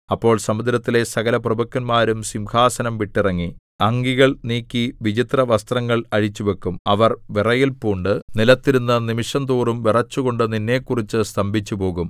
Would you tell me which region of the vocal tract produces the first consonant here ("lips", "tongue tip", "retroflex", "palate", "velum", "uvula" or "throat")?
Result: lips